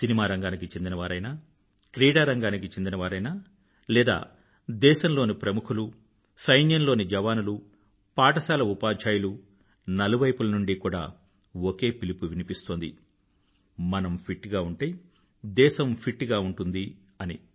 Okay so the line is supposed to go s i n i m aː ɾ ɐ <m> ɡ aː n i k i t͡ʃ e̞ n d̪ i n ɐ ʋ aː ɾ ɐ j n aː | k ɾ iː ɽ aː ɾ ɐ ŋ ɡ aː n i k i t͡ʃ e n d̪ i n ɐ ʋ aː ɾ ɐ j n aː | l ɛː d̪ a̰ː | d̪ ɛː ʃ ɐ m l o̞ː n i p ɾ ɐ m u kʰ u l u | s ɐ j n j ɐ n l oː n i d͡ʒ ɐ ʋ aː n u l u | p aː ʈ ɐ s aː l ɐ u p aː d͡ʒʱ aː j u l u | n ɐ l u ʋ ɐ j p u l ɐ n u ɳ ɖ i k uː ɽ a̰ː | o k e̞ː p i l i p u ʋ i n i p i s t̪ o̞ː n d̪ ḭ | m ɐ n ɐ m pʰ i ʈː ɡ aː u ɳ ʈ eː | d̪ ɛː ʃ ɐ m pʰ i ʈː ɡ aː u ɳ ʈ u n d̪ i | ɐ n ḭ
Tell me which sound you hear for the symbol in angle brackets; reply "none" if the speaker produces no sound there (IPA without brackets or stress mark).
ŋ